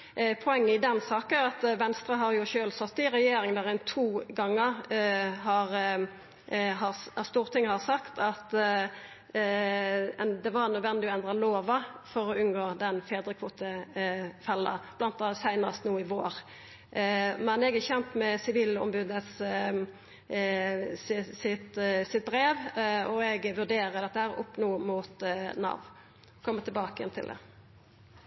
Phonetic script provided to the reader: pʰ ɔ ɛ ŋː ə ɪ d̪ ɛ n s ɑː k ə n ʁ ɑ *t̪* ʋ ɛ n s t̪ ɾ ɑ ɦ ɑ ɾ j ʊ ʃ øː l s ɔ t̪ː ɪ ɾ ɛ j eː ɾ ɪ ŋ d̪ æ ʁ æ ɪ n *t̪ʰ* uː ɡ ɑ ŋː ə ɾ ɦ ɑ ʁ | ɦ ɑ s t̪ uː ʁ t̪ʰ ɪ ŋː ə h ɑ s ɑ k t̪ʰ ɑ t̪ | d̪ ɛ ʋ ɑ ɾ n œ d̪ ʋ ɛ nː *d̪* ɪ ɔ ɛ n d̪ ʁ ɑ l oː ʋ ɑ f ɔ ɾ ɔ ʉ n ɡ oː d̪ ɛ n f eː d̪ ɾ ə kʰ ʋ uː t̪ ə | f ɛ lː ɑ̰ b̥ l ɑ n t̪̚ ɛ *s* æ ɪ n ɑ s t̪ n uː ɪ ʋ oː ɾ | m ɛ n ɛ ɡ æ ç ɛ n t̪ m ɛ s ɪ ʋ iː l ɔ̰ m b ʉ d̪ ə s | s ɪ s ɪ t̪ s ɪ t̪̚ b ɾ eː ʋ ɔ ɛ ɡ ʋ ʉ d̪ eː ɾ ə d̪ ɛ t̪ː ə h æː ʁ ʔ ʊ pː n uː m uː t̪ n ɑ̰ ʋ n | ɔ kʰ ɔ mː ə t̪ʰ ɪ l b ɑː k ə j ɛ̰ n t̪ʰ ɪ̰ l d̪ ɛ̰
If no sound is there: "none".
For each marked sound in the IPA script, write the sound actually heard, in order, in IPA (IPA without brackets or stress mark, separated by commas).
t̪, t̪ʰ, d̪, s